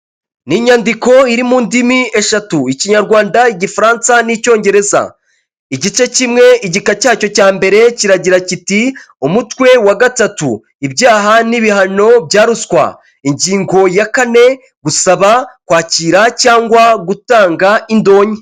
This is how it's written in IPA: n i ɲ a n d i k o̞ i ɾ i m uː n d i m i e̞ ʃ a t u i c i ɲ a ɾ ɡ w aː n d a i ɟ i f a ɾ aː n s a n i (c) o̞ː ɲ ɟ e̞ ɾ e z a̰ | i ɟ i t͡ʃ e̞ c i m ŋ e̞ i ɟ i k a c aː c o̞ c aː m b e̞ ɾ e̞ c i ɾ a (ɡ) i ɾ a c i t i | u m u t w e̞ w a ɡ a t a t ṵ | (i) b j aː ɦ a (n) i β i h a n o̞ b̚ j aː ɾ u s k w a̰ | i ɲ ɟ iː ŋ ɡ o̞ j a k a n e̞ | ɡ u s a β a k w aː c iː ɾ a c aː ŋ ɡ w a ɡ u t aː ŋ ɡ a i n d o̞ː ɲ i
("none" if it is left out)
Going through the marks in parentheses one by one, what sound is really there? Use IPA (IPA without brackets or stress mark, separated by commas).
c, ɟ, i, n